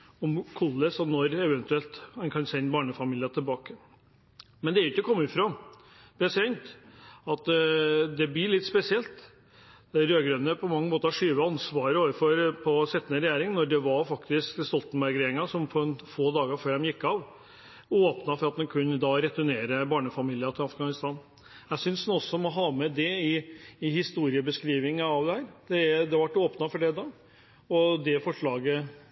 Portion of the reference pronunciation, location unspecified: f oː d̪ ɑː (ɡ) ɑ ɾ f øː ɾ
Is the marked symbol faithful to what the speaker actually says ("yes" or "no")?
yes